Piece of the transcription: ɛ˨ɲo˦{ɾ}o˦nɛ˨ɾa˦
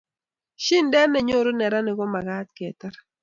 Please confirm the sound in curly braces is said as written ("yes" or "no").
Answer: yes